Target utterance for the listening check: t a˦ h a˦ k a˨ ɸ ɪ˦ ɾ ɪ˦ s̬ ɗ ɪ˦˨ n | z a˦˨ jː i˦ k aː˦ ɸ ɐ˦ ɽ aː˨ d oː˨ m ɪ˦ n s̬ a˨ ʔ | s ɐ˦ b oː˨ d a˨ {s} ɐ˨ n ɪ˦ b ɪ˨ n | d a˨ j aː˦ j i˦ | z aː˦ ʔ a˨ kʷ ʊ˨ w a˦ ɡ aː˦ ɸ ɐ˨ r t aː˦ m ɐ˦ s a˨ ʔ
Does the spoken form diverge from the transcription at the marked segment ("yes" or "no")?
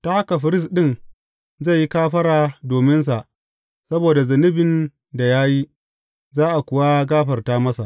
yes